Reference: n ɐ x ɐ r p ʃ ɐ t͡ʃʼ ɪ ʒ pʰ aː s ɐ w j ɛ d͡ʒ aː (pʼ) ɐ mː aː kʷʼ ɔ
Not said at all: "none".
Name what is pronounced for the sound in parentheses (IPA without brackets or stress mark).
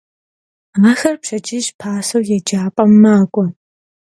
pʼ